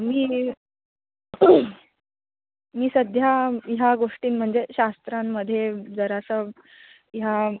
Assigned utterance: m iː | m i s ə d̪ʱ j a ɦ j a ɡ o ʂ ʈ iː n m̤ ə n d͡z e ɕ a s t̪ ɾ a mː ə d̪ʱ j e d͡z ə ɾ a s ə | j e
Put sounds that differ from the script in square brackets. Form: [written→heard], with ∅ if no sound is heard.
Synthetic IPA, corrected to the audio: m iː | m [i→iː] s ə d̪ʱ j a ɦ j a ɡ o ʂ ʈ iː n m̤ ə [n→ɳ] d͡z e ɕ a s t̪ ɾ a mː ə d̪ʱ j e d͡z ə ɾ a s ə | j [e→a]